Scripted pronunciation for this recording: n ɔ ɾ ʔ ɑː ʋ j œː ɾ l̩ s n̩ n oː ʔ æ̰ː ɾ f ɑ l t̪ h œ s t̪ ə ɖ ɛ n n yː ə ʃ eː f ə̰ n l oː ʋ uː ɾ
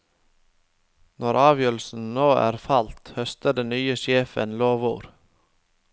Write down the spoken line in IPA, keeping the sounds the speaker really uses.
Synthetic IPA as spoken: n ɔ ɾ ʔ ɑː ʋ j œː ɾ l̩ s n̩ n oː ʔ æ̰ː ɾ f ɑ l t̪ h œ s t̪ ə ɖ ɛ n n yː ə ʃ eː f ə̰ n l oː ʋ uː ɾ